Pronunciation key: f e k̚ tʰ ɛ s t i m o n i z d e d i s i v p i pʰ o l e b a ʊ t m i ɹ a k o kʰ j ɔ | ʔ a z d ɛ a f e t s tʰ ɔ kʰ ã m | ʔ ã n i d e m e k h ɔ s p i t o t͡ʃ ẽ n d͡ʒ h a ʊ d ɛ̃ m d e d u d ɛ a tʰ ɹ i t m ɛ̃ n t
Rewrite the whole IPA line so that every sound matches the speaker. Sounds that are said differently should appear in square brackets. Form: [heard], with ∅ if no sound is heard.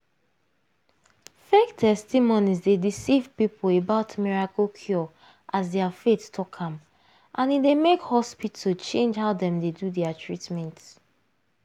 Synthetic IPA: f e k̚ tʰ ɛ s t i m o n i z d e d i s i v p i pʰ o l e b a ʊ t m i ɹ a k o kʰ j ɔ | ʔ a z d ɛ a f e t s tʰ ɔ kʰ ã m | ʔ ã n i d e m e k h ɔ s p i t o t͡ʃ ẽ n d͡ʒ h a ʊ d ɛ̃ m d e d u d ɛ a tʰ ɹ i t m ɛ̃ n t